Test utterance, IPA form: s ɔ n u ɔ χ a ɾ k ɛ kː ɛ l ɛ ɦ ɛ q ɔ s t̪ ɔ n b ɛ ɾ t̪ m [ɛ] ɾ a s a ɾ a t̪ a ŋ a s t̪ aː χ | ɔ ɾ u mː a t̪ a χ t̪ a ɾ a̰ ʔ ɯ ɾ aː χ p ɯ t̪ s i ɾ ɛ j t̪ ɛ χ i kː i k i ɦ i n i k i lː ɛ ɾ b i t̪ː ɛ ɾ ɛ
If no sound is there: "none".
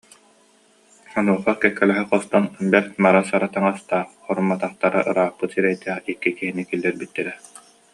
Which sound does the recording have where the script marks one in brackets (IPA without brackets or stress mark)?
a